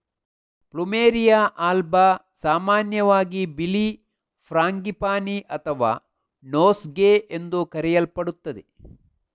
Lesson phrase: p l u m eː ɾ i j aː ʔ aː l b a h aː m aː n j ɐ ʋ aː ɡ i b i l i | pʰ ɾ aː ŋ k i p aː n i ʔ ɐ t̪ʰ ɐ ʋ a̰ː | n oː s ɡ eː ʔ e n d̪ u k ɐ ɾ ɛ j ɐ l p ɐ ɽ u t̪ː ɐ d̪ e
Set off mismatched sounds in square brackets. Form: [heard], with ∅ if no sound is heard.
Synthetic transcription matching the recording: p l u m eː ɾ i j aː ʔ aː l b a [s] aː m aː n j ɐ ʋ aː ɡ i b i l i | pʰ ɾ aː ŋ [ɡ] i p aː n i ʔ ɐ t̪ʰ ɐ ʋ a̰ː | n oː s ɡ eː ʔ e n d̪ u k ɐ ɾ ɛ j ɐ l p ɐ ɽ u t̪ː ɐ d̪ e